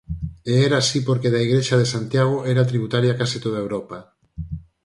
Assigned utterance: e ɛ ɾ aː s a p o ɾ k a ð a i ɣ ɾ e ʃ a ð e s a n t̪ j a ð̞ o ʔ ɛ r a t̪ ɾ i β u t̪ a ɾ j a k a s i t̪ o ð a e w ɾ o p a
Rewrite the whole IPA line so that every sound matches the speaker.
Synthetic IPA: e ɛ ɾ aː s i p o ɾ k e ð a i ɣ ɾ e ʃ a ð e s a n t̪ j a ɣ̞ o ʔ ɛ ɾ a t̪ ɾ i β u t̪ a ɾ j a k a s i t̪ o ð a e w ɾ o p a